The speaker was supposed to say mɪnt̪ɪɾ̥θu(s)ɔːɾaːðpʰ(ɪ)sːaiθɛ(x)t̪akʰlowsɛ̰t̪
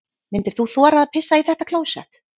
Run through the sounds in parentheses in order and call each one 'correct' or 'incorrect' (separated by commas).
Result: incorrect, correct, incorrect